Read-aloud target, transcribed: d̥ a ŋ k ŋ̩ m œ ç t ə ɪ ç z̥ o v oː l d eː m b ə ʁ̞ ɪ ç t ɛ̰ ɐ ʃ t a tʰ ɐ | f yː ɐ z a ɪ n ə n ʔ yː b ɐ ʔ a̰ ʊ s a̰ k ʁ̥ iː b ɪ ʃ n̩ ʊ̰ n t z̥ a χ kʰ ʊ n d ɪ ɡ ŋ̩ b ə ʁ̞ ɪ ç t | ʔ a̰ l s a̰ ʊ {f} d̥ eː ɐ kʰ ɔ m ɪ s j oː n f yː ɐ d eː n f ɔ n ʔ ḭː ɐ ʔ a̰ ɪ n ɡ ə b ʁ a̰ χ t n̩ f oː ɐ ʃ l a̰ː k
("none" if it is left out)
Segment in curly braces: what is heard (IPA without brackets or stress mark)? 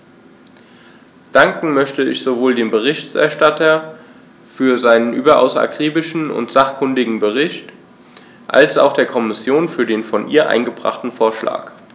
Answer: x